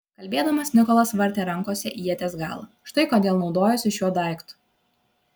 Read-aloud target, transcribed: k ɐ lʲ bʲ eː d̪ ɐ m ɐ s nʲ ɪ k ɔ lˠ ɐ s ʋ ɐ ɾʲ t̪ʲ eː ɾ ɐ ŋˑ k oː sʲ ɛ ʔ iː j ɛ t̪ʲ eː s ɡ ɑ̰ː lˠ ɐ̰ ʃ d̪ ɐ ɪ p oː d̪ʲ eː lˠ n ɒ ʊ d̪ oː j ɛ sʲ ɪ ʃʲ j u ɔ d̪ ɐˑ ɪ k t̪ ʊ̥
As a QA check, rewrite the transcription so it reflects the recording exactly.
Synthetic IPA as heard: k ɐ lʲ bʲ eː d̪ ɐ m ɐ s nʲ ɪ k ɔ lˠ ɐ s ʋ ɐ ɾʲ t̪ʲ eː ɾ ɐ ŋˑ k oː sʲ ɛ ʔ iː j ɛ t̪ʲ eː s ɡ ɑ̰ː lˠ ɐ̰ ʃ t̪ ɐ ɪ k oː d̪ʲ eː lˠ n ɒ ʊ d̪ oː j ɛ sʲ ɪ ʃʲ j u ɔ d̪ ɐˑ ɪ k t̪ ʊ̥